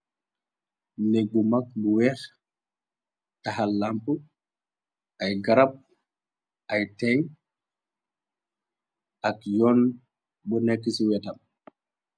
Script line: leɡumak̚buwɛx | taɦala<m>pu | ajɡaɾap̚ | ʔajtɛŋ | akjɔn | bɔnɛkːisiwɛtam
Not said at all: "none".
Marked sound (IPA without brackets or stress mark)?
m